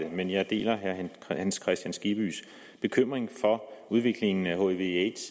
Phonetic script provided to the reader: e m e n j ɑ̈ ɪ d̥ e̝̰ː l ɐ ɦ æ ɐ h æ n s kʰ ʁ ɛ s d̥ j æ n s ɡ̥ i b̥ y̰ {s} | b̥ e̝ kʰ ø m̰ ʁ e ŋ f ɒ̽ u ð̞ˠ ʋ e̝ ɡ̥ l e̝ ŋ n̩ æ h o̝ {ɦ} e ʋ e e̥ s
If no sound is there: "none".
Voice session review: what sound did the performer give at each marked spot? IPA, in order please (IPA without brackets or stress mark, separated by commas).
s, none